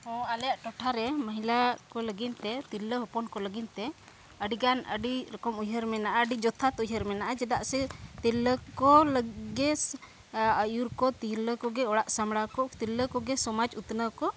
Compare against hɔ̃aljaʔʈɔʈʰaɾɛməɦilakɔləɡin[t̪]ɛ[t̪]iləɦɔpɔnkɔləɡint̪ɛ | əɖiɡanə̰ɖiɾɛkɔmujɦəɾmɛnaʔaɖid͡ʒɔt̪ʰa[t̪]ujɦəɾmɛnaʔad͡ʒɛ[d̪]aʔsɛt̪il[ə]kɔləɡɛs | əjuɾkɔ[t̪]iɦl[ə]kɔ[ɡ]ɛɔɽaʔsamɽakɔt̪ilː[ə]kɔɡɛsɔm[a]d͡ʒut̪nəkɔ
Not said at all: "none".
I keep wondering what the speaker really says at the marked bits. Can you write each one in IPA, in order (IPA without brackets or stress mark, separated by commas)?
t̪, t̪, t̪, d̪, ə, t̪, ə, ɡ, ə, a